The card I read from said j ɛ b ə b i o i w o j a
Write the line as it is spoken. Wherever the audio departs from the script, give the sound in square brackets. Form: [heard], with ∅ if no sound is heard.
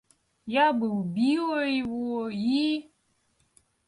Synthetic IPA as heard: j [a] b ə b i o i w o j [i]